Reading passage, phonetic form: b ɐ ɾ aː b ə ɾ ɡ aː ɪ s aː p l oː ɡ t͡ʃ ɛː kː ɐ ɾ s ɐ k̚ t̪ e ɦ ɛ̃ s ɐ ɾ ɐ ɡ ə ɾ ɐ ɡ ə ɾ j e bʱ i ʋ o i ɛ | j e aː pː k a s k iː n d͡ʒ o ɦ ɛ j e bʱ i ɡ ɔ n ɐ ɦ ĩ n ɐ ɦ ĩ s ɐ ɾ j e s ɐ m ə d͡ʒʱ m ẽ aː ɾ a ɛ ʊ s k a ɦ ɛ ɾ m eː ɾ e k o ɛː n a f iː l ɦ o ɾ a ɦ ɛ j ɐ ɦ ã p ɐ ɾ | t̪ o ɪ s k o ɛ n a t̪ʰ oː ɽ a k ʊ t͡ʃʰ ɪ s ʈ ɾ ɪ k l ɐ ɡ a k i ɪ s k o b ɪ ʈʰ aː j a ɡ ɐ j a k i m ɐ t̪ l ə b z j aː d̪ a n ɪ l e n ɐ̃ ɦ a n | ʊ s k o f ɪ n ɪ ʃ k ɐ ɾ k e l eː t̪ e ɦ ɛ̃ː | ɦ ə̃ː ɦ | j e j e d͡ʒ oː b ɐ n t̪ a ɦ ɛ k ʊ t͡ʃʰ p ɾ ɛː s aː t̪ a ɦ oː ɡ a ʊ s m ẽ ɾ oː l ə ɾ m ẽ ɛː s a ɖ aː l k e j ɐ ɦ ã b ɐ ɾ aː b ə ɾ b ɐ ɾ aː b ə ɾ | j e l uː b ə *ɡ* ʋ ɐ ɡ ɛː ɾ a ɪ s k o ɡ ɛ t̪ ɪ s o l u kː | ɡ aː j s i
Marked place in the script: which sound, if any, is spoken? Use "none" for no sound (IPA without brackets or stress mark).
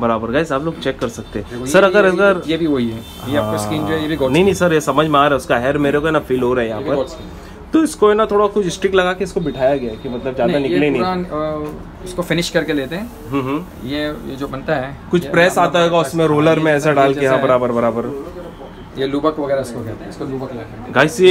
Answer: k